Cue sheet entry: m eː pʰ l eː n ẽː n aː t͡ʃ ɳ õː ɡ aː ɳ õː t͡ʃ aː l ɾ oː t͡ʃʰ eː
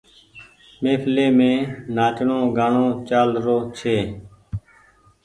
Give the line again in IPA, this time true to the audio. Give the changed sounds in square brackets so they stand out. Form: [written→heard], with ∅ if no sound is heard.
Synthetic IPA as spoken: m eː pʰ l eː [n→m] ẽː n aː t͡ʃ ɳ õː ɡ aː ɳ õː t͡ʃ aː l ɾ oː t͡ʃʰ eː